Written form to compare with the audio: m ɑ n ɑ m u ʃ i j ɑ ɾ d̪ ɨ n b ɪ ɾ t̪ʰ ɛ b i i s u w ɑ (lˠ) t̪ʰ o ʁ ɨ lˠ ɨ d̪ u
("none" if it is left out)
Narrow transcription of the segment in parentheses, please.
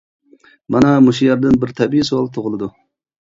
lˠ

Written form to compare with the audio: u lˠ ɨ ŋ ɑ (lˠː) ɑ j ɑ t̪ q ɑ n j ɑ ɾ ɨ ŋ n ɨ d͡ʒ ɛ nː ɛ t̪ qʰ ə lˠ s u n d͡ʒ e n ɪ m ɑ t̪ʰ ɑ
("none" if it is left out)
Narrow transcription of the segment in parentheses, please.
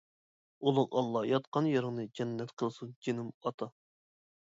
lˠː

